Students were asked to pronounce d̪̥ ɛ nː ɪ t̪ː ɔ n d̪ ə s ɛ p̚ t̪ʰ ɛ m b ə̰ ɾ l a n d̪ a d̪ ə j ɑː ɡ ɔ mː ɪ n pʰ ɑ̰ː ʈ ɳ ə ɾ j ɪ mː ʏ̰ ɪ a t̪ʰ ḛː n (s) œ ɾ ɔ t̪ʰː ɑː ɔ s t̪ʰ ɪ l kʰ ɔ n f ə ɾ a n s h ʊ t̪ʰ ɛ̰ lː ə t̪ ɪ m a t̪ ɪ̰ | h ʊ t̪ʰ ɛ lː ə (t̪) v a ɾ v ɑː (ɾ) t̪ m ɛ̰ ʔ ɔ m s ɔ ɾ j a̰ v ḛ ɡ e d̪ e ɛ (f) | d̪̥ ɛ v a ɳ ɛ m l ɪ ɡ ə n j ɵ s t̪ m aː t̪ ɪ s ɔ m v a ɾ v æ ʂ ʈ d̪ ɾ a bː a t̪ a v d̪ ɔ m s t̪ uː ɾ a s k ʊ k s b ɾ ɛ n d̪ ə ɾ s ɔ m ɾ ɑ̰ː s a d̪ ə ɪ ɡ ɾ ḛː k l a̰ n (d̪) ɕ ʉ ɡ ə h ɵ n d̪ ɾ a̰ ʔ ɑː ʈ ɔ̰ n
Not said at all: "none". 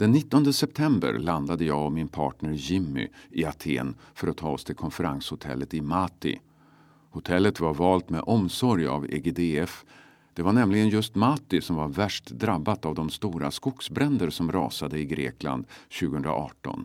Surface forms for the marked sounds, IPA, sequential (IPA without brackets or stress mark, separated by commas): f, t̪, l, f, d̪